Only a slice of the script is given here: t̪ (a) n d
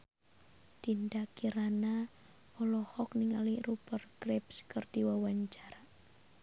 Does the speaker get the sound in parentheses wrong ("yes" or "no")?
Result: yes